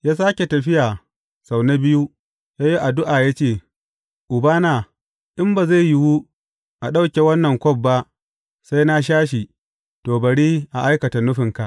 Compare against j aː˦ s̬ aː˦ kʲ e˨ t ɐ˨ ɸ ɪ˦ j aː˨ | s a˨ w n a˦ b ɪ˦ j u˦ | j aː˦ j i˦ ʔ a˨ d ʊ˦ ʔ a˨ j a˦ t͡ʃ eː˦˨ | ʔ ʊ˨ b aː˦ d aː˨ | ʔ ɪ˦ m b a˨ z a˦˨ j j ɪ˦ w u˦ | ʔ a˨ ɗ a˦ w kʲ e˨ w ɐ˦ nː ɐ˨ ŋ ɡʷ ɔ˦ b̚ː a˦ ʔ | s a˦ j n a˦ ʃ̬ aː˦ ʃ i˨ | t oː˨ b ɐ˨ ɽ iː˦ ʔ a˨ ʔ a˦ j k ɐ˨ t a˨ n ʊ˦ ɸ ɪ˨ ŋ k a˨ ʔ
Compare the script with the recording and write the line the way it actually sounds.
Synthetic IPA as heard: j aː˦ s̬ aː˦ kʲ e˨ t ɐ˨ ɸ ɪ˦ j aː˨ | s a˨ w n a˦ b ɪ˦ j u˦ | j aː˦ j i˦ ʔ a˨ d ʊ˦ ʔ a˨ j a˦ t͡ʃ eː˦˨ | ʔ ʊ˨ b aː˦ n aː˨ | ʔ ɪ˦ m b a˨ z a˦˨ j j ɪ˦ w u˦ | ʔ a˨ ɗ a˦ w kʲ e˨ w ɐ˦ nː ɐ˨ ŋ kʷ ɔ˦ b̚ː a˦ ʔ | s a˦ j n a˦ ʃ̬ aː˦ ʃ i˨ | t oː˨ b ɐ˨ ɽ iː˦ ʔ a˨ ʔ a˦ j k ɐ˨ t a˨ n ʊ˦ ɸ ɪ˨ ŋ k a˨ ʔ